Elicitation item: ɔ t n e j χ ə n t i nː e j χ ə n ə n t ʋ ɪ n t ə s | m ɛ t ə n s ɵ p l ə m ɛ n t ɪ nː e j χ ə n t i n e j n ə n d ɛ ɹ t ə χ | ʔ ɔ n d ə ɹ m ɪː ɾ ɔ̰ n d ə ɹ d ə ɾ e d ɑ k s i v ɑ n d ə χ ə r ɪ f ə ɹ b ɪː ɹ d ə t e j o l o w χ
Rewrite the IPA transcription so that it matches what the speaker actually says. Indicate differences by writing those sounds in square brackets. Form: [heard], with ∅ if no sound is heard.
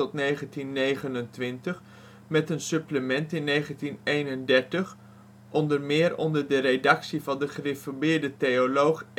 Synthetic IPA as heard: ɔ t n e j χ ə n t i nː e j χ ə n ə n t ʋ ɪ n t ə [χ] | m ɛ t ə n s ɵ p l ə m ɛ n t ɪ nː e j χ ə n t i n e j n ə n d ɛ ɹ t ə χ | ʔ ɔ n d ə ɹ m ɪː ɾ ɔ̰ n d ə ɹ d ə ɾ e d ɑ k s i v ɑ n d ə χ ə r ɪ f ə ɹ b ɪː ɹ d ə t e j o l o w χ